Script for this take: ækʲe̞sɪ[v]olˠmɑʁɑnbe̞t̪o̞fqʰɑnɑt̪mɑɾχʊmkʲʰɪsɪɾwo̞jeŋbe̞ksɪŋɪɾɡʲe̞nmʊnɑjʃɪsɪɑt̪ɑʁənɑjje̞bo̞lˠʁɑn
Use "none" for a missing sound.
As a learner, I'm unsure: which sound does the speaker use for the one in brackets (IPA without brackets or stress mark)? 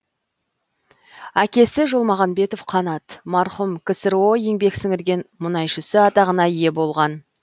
ʒ